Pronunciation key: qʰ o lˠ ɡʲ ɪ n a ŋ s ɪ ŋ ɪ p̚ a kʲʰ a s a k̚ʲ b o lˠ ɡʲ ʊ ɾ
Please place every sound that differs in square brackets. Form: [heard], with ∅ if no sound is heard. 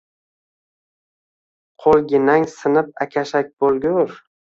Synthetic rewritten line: qʰ o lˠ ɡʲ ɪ n a ŋ s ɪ [n] ɪ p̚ a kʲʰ a [ʃ] a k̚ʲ b o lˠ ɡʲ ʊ ɾ